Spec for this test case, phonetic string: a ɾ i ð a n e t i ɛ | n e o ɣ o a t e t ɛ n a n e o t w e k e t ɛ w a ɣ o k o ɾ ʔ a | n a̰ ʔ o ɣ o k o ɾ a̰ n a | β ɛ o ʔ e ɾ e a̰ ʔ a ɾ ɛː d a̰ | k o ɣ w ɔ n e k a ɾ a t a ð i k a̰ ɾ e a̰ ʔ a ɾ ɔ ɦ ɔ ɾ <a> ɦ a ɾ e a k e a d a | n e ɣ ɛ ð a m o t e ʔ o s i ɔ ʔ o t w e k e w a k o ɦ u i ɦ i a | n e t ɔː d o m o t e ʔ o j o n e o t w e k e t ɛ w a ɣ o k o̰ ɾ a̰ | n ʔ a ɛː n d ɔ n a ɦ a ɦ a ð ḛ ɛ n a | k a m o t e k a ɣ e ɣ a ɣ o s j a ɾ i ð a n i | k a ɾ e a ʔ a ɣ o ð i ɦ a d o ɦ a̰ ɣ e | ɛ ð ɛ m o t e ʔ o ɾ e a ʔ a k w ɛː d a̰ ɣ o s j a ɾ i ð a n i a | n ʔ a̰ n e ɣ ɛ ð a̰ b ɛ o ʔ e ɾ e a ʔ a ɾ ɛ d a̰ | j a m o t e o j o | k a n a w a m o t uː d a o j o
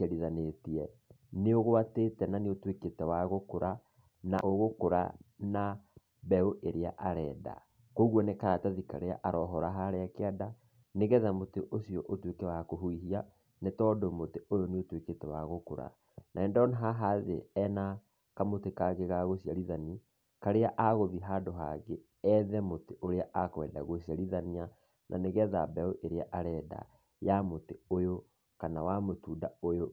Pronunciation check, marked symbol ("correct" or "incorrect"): correct